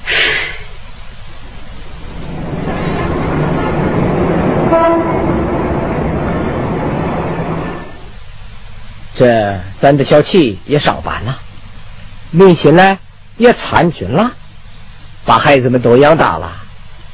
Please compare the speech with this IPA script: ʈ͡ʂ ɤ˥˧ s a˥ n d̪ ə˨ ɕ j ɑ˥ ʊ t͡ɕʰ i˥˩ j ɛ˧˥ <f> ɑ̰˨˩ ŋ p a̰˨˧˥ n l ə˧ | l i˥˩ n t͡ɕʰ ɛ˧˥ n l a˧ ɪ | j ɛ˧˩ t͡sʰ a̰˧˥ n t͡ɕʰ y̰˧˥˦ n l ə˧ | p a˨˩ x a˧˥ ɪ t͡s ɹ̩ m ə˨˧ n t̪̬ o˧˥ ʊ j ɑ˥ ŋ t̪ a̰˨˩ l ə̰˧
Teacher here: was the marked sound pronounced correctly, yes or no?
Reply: no